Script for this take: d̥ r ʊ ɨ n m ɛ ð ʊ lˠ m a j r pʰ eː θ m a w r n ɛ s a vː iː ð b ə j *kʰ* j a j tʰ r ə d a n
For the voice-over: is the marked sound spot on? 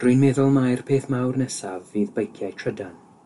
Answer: yes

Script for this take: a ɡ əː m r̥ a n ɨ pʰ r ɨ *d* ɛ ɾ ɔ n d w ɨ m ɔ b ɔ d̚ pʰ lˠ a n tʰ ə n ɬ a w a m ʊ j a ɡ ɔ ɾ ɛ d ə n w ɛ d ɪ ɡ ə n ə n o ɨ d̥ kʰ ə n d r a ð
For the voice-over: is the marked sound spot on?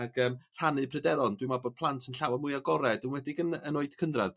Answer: yes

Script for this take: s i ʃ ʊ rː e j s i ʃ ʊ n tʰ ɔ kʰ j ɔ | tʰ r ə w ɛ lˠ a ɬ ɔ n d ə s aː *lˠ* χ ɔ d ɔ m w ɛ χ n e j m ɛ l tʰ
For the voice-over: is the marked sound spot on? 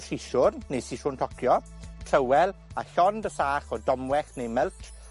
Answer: no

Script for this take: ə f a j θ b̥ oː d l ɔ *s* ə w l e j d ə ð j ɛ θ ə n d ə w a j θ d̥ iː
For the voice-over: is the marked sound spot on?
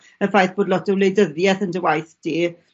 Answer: no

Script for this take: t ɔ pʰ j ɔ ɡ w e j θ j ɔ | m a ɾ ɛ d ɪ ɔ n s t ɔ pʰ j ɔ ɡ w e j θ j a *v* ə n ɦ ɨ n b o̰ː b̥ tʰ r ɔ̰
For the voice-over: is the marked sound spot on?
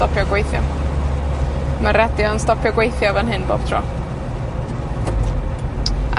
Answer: yes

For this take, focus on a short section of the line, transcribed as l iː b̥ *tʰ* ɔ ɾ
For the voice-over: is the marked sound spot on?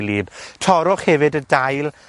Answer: yes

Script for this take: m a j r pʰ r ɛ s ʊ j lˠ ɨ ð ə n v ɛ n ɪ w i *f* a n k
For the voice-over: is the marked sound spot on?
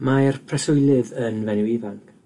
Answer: no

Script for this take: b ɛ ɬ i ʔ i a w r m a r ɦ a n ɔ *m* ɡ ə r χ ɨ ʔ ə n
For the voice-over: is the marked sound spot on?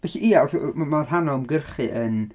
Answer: yes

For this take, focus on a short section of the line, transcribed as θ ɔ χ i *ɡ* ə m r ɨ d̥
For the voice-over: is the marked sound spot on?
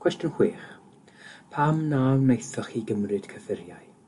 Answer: yes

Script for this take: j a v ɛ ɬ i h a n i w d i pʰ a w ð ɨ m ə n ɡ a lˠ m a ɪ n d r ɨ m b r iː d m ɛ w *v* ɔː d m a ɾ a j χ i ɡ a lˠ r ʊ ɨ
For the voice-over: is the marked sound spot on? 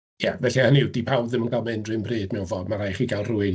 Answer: yes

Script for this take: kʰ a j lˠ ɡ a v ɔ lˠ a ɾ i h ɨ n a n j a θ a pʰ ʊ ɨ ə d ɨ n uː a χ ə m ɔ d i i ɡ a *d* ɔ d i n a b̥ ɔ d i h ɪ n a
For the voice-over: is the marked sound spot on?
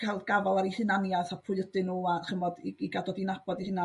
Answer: yes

